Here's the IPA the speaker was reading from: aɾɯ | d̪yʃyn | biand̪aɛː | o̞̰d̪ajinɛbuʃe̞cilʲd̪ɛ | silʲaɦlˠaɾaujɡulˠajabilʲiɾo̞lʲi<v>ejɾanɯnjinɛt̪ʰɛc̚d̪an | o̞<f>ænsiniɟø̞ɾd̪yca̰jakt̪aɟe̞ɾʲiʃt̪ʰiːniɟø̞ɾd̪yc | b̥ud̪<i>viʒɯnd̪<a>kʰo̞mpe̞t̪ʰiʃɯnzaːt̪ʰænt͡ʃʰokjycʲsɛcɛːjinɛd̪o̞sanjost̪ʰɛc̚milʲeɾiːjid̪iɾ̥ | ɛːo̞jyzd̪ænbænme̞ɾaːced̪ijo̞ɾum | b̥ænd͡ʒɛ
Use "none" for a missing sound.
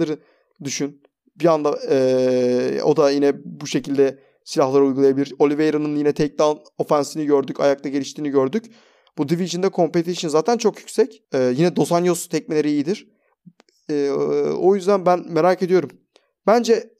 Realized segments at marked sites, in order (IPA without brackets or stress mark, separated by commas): v, f, i, ɛ